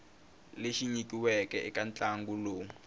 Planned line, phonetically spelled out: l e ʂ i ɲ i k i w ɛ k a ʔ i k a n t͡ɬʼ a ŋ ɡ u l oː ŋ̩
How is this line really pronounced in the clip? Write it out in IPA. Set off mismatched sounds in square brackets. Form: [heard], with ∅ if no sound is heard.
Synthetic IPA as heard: l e [ʃ] i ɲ i k i w ɛ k [ɛ] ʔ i k a n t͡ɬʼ a ŋ ɡ u l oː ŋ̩